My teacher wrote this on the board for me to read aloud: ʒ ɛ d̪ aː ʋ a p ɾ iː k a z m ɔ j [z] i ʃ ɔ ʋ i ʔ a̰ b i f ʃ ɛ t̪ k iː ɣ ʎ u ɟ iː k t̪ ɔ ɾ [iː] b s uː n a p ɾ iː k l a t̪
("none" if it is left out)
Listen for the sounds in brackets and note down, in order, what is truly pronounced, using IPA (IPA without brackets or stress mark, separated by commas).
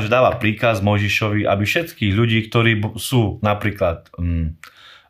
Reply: ʒ, iː